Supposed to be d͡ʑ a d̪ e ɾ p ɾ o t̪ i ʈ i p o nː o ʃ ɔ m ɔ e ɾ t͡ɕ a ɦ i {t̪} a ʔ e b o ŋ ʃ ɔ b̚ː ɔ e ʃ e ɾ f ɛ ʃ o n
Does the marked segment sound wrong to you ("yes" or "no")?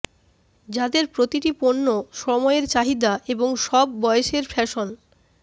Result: yes